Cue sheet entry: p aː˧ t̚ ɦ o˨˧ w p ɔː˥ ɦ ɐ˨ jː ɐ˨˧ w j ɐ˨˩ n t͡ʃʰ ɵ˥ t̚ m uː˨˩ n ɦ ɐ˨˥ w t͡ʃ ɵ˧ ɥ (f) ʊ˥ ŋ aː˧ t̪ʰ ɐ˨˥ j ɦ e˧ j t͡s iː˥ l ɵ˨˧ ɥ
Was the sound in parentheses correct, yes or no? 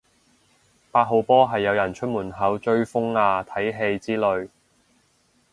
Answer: yes